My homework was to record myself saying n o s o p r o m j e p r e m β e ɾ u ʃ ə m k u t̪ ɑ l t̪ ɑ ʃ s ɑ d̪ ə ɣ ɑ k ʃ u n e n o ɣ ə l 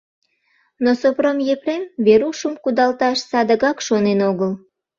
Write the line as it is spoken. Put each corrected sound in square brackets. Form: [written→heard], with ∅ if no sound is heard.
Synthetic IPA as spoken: n o s o p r o m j e p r e m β e ɾ u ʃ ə m k u [t̪→d̪] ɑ l t̪ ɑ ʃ s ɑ d̪ ə ɣ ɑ k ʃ [u→o] n e n o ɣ ə l